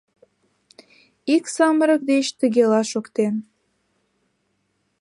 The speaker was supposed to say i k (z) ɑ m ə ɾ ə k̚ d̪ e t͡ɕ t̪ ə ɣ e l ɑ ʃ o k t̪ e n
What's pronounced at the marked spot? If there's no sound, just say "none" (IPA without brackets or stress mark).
s